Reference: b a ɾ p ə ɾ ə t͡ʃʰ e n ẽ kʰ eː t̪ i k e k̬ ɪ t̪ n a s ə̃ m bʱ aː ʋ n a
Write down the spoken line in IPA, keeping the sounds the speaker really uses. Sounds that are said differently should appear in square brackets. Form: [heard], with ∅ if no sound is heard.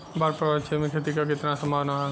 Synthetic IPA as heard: b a ɾ p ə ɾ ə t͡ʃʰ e [m] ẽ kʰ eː t̪ i k [a] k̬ ɪ t̪ n a s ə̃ m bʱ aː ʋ n a